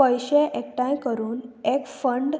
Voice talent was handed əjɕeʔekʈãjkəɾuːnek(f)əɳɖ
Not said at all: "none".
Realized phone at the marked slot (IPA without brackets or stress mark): f